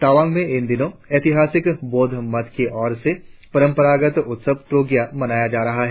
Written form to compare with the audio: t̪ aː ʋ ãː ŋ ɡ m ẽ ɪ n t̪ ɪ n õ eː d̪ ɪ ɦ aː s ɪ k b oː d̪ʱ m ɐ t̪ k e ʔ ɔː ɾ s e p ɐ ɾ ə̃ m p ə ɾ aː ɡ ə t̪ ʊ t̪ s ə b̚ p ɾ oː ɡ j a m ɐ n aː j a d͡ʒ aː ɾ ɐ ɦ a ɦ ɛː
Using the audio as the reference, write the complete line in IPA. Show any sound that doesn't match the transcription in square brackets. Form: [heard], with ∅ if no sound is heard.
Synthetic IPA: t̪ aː ʋ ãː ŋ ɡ m ẽ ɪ n [d̪] ɪ n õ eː [t̪] ɪ ɦ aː s ɪ k b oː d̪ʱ m ɐ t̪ k e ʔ ɔː ɾ s e p ɐ ɾ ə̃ m p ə ɾ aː ɡ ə t̪ ʊ t̪ s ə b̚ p ɾ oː ɡ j a m ɐ n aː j a d͡ʒ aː ɾ ɐ ɦ a ɦ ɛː